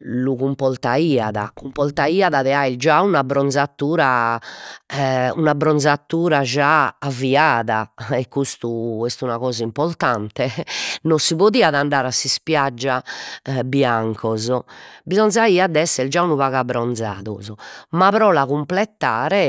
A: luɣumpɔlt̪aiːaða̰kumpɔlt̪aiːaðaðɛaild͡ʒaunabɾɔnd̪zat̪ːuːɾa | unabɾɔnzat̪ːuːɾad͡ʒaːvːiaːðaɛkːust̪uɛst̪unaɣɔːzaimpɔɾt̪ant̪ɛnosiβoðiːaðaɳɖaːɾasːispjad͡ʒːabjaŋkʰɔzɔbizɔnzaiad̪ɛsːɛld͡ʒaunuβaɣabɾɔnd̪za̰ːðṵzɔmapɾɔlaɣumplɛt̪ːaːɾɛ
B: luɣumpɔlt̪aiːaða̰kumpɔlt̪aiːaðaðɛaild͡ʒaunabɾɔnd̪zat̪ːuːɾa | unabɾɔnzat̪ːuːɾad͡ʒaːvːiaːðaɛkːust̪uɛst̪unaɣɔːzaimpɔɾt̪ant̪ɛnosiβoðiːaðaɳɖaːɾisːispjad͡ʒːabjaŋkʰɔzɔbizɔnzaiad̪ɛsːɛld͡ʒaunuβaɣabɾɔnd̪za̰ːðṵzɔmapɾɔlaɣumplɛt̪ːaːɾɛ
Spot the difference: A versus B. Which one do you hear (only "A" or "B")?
A